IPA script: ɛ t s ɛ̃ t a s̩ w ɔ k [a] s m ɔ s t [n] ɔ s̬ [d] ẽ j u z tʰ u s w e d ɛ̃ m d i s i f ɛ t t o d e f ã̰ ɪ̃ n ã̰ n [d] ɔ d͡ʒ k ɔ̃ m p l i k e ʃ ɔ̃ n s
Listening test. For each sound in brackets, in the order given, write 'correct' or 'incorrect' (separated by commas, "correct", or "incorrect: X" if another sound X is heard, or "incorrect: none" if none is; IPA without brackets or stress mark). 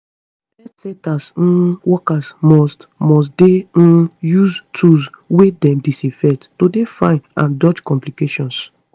correct, incorrect: m, correct, correct